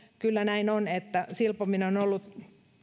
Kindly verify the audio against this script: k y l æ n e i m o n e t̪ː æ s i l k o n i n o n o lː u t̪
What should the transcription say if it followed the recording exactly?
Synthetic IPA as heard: k y lː æ n æ i n o n e t̪ː æ s i l p o m i n o n o lː u t̪